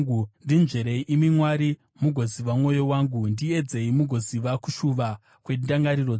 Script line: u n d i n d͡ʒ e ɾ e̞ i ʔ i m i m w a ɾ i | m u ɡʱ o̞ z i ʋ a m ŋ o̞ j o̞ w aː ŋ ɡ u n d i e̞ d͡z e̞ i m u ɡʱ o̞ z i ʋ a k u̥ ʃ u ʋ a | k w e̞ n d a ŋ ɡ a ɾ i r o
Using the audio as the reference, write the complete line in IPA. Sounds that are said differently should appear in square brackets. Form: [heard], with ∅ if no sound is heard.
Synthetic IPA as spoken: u n d i n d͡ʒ e ɾ e̞ i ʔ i m i m w a ɾ i | m u ɡʱ o̞ z i ʋ a m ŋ o̞ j o̞ w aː ŋ ɡ u n d i e̞ d͡z e̞ i m u ɡʱ o̞ z i ʋ a k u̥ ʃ u ʋ a | k w e̞ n d a ŋ ɡ a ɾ i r o